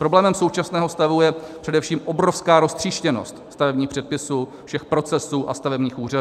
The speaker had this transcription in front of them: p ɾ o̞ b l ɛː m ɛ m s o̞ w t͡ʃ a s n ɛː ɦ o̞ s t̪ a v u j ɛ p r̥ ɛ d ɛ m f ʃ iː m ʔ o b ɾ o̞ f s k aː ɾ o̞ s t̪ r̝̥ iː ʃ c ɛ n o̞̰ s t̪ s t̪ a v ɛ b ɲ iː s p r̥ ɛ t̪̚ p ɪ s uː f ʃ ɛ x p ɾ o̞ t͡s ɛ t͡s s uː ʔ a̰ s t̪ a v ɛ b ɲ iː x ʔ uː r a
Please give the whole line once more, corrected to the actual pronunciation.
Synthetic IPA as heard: p ɾ o̞ b l ɛː m ɛ m s o̞ w t͡ʃ a s n ɛː ɦ o̞ s t̪ a v u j ɛ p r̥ ɛ d ɛ f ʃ iː m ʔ o b ɾ o̞ f s k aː ɾ o̞ s t̪ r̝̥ iː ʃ c ɛ n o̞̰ s t̪ s t̪ a v ɛ b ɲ iː x p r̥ ɛ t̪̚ p ɪ s uː f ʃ ɛ x p ɾ o̞ t͡s ɛ s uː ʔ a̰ s t̪ a v ɛ b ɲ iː x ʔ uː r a